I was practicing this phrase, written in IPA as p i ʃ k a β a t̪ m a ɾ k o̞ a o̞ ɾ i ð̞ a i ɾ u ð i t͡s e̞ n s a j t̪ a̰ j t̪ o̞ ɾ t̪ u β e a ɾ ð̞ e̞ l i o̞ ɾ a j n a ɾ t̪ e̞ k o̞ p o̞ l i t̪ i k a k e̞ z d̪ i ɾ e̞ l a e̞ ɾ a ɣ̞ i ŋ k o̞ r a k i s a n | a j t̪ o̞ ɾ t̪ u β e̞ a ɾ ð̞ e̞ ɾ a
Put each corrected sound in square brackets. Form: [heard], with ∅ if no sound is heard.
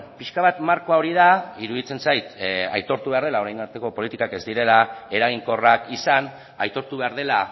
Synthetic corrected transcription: p i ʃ k a β a t̪ m a ɾ k o̞ a o̞ ɾ i ð̞ a i ɾ u ð i t͡s e̞ n s a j t̪ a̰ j t̪ o̞ ɾ t̪ u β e a ɾ ð̞ e̞ l [a] o̞ ɾ a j n a ɾ t̪ e̞ k o̞ p o̞ l i t̪ i k a k e̞ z d̪ i ɾ e̞ l a e̞ ɾ a ɣ̞ i ŋ k o̞ r a k i s a n | a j t̪ o̞ ɾ t̪ u β e̞ a ɾ ð̞ e̞ [l] a